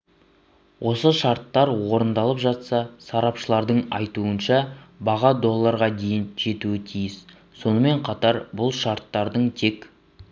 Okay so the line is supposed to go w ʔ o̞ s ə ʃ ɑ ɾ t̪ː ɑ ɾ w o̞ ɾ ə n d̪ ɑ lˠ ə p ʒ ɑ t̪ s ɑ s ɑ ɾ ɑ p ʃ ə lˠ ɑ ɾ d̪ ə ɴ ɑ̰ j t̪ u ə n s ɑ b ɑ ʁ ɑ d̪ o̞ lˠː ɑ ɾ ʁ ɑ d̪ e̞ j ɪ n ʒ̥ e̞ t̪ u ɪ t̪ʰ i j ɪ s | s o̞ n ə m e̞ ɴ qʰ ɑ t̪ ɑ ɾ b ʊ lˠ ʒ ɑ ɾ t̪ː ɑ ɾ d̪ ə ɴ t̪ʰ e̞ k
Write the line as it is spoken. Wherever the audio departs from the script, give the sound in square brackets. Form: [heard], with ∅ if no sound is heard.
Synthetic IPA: w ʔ o̞ s ə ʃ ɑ ɾ t̪ː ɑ ɾ w o̞ ɾ ə n d̪ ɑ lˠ ə p ʒ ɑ t̪ s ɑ s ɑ ɾ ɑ p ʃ ə lˠ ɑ ɾ d̪ ə ɴ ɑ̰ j t̪ u ə n [ʃ] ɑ b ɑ ʁ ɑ d̪ o̞ lˠː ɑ ɾ ʁ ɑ d̪ e̞ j ɪ n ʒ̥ e̞ t̪ u ɪ t̪ʰ i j ɪ s | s o̞ n ə m e̞ ɴ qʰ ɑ t̪ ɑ ɾ b ʊ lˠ [ʃ] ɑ ɾ t̪ː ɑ ɾ d̪ ə ɴ t̪ʰ e̞ k